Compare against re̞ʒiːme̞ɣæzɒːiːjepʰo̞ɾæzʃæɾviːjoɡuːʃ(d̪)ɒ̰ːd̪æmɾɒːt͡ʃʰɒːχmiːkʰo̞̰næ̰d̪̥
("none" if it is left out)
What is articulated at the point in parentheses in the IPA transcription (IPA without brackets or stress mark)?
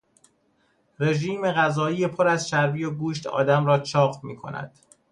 t̪